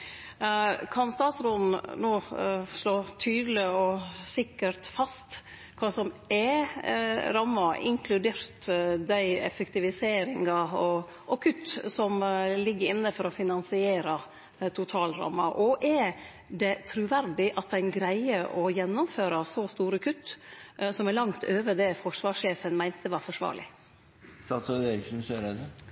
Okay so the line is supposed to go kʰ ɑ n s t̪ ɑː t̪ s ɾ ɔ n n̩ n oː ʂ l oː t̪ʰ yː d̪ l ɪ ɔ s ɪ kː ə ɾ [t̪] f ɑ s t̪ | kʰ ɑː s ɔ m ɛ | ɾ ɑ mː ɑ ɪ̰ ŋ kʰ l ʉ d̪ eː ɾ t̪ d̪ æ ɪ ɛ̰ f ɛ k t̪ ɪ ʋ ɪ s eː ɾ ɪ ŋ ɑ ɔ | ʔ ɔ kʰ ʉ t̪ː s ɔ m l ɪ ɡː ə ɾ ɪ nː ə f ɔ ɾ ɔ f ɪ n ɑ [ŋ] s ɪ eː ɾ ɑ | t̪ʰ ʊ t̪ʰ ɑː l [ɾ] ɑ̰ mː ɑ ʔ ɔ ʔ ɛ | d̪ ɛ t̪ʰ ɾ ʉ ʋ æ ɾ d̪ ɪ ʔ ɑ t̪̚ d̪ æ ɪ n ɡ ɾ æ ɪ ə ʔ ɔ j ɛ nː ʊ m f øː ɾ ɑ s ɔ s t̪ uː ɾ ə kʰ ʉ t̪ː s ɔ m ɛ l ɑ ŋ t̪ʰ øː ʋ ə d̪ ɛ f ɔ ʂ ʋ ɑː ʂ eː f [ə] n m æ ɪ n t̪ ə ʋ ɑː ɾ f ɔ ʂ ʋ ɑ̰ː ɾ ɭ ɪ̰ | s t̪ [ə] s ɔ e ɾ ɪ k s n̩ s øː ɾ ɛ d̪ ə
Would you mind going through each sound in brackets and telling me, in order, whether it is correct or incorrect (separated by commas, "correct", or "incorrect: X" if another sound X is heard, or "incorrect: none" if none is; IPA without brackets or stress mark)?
correct, incorrect: n, correct, correct, incorrect: ɑ